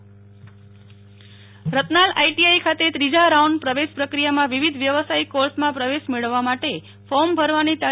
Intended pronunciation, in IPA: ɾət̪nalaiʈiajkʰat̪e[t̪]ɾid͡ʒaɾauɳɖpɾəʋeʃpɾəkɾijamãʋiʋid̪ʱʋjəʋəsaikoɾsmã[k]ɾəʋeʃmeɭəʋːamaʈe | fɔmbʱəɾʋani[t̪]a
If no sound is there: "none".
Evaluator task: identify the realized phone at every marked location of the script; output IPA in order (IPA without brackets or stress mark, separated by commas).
t̪, p, t̪